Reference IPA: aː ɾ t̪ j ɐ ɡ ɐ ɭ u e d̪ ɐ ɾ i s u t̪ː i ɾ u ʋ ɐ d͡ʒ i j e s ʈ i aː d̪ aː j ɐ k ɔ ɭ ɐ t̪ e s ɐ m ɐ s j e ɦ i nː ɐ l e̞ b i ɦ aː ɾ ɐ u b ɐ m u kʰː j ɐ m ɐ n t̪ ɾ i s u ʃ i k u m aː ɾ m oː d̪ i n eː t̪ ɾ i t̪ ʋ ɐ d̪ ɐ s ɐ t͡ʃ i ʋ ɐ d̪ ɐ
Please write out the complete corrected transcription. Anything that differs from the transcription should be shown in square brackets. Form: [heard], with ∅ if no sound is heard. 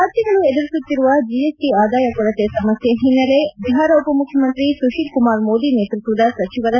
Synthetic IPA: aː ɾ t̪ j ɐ ɡ ɐ ɭ u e d̪ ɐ ɾ i s u t̪ː i ɾ u ʋ ɐ d͡ʒ i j e s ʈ i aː d̪ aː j ɐ k ɔ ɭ ɐ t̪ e s ɐ m ɐ s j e ɦ i nː ɐ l e̞ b i ɦ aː ɾ ɐ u [p] ɐ m u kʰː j ɐ m ɐ n t̪ ɾ i s u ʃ i k u m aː ɾ m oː d̪ i n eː t̪ ɾ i t̪ ʋ ɐ d̪ ɐ s ɐ t͡ʃ i ʋ ɐ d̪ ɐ

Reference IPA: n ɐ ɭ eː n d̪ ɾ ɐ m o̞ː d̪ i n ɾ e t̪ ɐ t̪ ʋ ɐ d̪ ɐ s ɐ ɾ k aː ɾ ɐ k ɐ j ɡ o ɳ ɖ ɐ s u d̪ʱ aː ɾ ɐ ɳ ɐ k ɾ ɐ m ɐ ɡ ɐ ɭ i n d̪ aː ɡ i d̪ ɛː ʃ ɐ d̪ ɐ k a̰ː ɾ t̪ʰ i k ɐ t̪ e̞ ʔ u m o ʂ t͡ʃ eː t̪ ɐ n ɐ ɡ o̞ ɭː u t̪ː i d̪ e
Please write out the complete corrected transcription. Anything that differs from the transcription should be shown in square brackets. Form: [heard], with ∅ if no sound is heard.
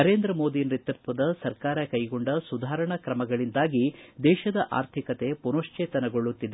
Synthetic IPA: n ɐ [ɾ] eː n d̪ ɾ ɐ m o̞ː d̪ i n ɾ [i] t̪ ɐ t̪ ʋ ɐ d̪ ɐ s ɐ ɾ k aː ɾ ɐ k ɐ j ɡ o ɳ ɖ ɐ s u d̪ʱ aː ɾ ɐ ɳ ɐ k ɾ ɐ m ɐ ɡ ɐ ɭ i n d̪ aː ɡ i d̪ ɛː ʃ ɐ d̪ ɐ [ʔ] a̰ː ɾ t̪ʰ i k ɐ t̪ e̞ [p] u [n] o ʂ t͡ʃ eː t̪ ɐ n ɐ ɡ o̞ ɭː u t̪ː i d̪ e

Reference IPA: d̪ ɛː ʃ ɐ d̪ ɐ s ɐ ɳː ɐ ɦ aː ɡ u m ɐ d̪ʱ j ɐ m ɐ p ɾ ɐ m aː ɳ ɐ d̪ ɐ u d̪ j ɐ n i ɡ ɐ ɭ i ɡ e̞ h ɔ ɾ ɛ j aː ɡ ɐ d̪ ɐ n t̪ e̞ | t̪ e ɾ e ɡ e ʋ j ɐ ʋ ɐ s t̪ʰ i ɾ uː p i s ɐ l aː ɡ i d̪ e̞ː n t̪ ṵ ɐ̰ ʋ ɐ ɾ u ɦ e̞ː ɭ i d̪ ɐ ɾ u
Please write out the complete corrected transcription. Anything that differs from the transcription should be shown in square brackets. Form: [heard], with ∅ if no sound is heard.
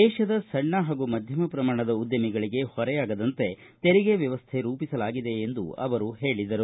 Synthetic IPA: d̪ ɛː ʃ ɐ d̪ ɐ s ɐ ɳː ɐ ɦ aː ɡ u m ɐ d̪ʱ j ɐ m ɐ p ɾ ɐ m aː ɳ ɐ d̪ ɐ u d̪ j ɐ [m] i ɡ ɐ ɭ i ɡ e̞ h ɔ ɾ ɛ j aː ɡ ɐ d̪ ɐ n t̪ e̞ | t̪ e ɾ [i] ɡ e ʋ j ɐ ʋ ɐ s t̪ʰ [e] ɾ uː p i s ɐ l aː ɡ i d̪ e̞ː n [d̪] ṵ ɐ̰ ʋ ɐ ɾ u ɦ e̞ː ɭ i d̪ ɐ ɾ u

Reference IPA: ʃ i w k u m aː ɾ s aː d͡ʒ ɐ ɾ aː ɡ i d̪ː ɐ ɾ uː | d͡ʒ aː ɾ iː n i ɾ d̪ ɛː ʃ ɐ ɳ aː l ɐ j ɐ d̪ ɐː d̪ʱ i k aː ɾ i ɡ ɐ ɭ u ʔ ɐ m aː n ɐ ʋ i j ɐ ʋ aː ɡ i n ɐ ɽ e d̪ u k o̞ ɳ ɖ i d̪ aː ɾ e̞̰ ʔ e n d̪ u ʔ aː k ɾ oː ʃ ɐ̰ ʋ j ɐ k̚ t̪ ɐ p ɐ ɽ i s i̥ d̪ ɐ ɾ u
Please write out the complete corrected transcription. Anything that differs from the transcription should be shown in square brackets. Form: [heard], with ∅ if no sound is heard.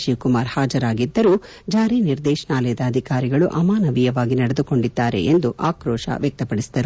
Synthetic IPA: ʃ i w k u m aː ɾ [h] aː d͡ʒ ɐ ɾ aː ɡ i d̪ː ɐ ɾ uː | d͡ʒ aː ɾ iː n i ɾ d̪ ɛː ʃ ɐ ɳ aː l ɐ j ɐ d̪ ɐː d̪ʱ i k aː ɾ i ɡ ɐ ɭ u ʔ ɐ m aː n ɐ ʋ i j ɐ ʋ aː ɡ i n ɐ ɽ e d̪ u k o̞ ɳ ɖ i [d̪ː] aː ɾ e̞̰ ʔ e n d̪ u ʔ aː k ɾ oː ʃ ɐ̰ ʋ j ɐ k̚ t̪ ɐ p ɐ ɽ i s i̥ d̪ ɐ ɾ u

